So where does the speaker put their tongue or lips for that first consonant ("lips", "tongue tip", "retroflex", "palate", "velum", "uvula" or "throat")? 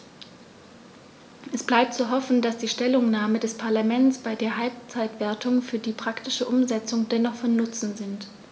throat